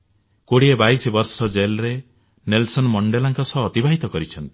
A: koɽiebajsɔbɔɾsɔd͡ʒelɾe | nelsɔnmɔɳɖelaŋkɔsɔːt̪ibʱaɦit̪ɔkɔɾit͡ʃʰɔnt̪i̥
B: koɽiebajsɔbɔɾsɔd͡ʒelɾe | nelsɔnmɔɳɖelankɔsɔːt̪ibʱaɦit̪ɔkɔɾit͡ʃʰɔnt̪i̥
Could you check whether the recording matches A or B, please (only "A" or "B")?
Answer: A